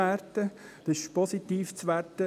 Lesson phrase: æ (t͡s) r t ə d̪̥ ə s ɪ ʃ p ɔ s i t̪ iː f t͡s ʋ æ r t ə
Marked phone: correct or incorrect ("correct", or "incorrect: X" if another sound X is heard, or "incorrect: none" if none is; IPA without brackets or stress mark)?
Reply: incorrect: none